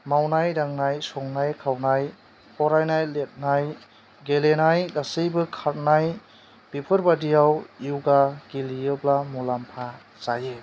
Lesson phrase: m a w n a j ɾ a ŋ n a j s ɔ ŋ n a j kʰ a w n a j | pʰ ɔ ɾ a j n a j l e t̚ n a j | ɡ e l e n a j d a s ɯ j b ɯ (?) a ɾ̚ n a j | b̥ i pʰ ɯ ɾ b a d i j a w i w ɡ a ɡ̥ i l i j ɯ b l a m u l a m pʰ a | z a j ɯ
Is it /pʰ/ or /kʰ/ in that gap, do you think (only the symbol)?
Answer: kʰ